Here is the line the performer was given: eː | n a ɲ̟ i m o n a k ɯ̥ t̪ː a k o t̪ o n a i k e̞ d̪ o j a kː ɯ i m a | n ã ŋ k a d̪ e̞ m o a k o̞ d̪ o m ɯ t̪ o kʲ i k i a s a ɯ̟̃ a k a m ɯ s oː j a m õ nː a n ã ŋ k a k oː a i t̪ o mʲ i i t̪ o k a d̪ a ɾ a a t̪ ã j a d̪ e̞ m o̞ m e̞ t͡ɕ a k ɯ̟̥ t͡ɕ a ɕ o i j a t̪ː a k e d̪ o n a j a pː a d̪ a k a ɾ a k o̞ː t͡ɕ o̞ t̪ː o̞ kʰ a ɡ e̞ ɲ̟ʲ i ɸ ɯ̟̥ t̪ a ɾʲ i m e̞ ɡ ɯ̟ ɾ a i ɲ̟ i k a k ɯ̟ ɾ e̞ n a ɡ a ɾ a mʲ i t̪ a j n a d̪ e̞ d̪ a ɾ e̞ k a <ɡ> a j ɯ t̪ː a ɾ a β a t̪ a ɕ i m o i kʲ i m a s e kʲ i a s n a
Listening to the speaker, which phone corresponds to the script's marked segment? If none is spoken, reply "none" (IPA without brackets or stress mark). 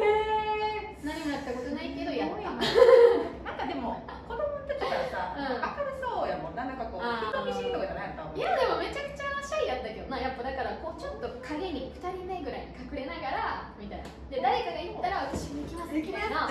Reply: ɡ